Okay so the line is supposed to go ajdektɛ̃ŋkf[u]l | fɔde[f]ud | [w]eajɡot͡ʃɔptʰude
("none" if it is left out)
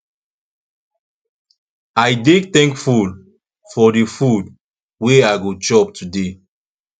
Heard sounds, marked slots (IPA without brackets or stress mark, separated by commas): u, f, w